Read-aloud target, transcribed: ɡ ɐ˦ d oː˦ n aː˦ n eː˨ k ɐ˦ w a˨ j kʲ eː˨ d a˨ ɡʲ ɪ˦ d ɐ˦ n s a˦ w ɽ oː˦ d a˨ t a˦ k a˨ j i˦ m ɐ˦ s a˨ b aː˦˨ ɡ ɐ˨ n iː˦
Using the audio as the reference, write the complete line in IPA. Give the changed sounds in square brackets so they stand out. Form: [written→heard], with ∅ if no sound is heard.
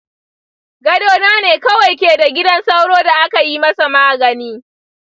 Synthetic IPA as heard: ɡ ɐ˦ d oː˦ n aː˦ n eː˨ k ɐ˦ w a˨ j kʲ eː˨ d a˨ ɡʲ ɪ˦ d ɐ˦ n s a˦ w ɽ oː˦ d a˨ [t→ʔ] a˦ k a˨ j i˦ m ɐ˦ s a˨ [b→m] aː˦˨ ɡ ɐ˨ n iː˦